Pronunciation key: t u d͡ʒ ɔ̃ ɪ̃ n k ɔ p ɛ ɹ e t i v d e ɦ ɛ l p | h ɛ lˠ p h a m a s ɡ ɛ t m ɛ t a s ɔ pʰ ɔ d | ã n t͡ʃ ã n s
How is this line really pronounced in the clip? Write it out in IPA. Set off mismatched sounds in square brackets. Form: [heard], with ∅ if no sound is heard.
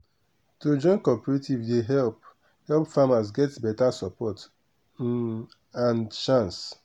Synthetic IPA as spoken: t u d͡ʒ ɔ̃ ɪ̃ n k ɔ p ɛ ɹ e t i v d e ɦ ɛ l p | h ɛ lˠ p [f] a m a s ɡ ɛ t [b] ɛ t a s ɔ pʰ ɔ [t] | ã n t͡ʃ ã n s